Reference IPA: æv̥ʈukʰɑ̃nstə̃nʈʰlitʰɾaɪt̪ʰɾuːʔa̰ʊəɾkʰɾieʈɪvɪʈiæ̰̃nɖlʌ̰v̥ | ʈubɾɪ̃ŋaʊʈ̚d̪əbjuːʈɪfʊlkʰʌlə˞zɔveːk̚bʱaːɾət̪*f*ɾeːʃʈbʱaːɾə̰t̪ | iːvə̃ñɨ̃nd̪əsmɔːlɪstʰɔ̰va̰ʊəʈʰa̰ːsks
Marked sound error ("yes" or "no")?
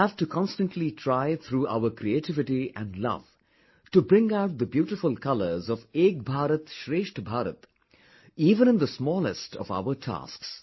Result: yes